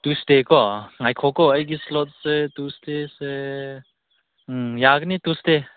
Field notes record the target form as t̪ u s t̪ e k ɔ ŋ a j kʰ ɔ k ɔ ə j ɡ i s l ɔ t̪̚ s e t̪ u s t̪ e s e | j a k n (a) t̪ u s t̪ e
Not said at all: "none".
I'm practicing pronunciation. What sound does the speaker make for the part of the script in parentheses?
i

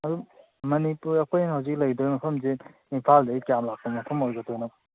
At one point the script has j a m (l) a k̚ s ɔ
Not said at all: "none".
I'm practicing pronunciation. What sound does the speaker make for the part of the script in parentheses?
l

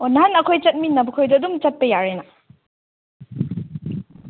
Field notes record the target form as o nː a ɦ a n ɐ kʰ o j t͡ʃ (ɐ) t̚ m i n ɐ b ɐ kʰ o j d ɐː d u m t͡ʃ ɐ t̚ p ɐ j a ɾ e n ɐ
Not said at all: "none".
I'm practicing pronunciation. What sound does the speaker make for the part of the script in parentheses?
ɐ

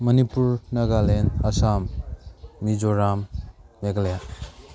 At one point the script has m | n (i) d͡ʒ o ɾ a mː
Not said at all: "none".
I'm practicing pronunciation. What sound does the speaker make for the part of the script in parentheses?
i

